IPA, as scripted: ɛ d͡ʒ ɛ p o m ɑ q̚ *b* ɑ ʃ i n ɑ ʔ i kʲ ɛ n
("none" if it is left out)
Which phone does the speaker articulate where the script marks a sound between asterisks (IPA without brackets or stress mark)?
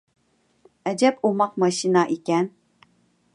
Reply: m